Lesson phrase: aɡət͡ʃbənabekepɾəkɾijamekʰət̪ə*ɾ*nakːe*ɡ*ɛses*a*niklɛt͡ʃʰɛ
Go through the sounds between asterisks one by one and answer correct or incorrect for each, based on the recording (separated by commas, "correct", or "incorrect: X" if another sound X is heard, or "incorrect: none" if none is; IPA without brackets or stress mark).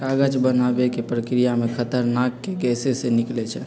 correct, correct, incorrect: e